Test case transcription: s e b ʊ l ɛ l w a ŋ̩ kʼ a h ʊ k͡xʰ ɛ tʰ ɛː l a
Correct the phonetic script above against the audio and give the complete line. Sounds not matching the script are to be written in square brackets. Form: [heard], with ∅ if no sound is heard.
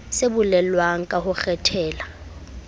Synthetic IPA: s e b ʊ l ɛ l w a ŋ̩ kʼ a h ʊ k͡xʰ ɛ tʰ ɛː l a